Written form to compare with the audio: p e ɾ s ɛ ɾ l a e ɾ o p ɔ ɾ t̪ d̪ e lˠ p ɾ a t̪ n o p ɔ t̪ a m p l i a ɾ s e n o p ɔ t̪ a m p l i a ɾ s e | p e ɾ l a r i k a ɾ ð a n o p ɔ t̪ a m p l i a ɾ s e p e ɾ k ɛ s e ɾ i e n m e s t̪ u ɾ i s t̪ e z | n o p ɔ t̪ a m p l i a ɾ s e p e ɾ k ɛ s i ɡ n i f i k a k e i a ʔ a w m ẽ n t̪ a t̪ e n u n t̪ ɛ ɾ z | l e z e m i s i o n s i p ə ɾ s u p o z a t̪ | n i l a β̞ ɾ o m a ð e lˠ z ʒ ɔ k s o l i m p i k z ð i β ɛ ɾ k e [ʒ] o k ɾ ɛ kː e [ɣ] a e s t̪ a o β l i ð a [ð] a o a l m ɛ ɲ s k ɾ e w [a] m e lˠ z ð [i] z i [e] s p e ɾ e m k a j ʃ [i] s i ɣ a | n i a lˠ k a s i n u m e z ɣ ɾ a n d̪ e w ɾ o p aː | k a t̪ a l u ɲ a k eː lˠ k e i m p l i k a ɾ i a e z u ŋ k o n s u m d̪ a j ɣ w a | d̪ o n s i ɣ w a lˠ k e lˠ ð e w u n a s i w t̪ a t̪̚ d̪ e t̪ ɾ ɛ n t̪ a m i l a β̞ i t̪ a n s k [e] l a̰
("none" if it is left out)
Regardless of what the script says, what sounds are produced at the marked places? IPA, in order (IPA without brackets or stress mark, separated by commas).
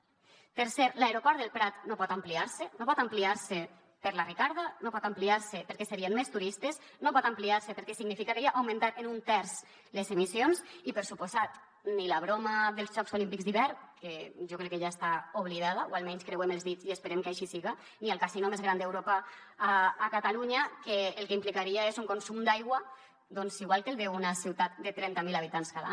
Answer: ʒ, ʒ, ð, e, i, e, i, a